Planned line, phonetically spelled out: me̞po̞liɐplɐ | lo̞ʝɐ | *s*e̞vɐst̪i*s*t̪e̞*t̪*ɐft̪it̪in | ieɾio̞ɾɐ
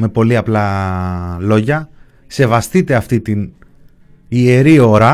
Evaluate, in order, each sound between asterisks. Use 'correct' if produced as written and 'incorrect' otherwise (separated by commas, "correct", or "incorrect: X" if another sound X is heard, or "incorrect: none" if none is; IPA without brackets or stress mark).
correct, incorrect: none, incorrect: none